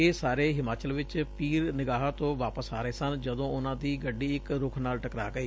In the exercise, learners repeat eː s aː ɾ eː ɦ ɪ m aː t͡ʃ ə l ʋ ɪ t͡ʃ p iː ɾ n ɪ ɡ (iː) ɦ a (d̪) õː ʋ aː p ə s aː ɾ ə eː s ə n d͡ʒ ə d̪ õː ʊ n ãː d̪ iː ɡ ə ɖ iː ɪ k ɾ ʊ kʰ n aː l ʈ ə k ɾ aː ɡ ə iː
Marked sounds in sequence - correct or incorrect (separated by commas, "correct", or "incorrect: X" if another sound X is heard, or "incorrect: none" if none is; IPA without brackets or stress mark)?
incorrect: aː, incorrect: t̪